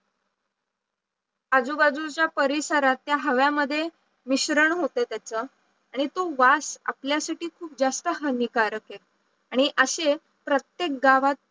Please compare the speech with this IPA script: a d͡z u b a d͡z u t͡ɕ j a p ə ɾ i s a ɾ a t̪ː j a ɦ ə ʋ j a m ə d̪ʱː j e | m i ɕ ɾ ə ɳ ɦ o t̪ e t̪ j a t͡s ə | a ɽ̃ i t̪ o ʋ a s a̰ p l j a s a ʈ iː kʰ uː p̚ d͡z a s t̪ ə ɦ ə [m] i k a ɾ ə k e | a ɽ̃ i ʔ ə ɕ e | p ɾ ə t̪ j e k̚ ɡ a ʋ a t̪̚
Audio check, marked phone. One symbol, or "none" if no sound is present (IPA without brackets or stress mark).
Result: n